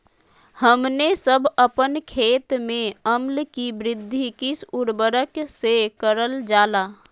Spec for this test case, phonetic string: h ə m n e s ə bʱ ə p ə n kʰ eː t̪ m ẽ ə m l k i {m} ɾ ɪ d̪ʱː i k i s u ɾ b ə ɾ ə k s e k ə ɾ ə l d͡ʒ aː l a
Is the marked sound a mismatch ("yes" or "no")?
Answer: yes